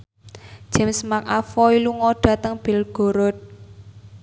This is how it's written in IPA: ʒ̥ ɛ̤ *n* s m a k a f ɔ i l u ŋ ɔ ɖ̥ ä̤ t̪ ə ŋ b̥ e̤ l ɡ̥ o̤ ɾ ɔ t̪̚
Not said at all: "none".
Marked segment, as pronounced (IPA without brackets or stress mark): m